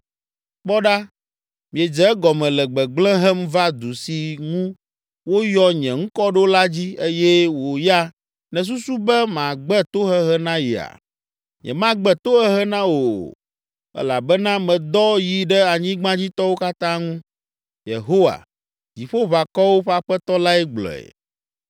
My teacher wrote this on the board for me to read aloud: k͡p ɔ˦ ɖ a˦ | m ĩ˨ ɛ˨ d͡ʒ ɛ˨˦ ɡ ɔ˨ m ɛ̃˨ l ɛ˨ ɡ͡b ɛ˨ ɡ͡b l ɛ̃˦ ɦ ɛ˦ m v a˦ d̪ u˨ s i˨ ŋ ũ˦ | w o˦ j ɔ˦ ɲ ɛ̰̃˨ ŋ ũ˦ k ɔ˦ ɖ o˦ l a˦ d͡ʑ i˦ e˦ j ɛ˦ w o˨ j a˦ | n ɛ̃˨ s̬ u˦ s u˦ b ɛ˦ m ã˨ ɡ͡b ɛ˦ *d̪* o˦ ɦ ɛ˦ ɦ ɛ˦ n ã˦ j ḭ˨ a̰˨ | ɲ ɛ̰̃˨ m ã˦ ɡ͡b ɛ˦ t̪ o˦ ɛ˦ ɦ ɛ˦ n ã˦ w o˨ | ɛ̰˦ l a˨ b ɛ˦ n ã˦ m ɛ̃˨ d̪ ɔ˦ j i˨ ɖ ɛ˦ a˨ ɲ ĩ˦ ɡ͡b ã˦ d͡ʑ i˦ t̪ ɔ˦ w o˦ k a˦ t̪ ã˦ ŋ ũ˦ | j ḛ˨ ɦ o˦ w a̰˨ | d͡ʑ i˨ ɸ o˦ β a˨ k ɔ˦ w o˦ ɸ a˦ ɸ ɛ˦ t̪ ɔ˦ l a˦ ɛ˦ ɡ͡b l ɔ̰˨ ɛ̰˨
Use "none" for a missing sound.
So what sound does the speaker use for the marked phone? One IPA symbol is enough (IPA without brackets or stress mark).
t̪